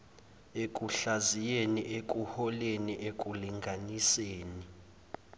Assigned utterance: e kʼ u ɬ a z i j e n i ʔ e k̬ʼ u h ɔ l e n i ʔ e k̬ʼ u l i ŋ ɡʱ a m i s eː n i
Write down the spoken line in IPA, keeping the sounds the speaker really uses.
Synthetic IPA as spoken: e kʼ u ɬ a z i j e n i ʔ e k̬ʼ u h ɔ l e n i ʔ e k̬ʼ u l i ŋ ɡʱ a n i s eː n i

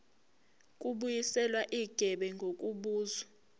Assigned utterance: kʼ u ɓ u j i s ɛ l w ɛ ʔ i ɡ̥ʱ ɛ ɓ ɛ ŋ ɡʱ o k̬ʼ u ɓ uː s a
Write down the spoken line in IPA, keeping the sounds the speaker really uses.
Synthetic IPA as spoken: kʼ u ɓ u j i s ɛ l w a ʔ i ɡ̥ʱ ɛ ɓ ɛ ŋ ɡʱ o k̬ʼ u ɓ uː z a

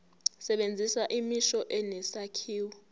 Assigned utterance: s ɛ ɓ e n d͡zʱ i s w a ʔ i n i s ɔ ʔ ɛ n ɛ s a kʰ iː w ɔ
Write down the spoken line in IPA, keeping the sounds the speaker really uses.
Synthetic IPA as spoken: s ɛ ɓ e n d͡zʱ i s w a ʔ i m i ʃ ɔ ʔ ɛ n ɛ s a kʰ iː w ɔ

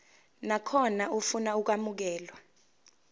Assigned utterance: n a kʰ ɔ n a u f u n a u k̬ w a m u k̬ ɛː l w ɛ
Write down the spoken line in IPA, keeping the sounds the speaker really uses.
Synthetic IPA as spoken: n a kʰ ɔ n a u f u n a u k̬ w a m u k̬ ɛː l w a

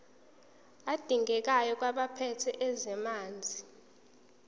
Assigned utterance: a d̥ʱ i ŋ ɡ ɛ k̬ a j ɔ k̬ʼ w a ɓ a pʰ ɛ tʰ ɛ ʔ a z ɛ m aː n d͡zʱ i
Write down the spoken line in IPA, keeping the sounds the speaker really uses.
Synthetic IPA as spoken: a d̥ʱ i ŋ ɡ ɛ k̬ a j ɔ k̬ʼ w a ɓ a pʰ ɛ tʰ ɛ ʔ ɛ z ɛ m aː n d͡zʱ i

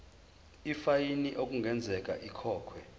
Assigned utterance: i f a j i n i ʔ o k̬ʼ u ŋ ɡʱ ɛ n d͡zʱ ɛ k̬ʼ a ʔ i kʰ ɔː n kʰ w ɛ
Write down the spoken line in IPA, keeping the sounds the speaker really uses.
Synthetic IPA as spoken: i f a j i n i ʔ o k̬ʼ u ŋ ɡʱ ɛ n d͡zʱ ɛ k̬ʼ a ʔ i kʰ ɔː kʰ w ɛ

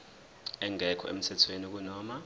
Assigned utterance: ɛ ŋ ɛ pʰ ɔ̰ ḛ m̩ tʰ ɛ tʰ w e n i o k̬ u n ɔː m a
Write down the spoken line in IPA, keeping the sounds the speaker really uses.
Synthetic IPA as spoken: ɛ ŋ ɛ kʰ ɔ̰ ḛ m̩ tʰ ɛ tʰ w e n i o k̬ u n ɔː m a

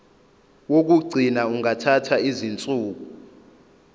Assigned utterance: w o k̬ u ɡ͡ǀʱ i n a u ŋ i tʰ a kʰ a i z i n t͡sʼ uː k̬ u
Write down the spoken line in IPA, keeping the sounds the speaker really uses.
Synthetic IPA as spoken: w o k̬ u ɡ͡ǀʱ i n a u ŋ a tʰ a tʰ a i z i n t͡sʼ uː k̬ u

